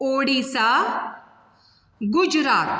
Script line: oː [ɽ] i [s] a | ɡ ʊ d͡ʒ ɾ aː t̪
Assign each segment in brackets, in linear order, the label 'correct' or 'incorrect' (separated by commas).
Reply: correct, correct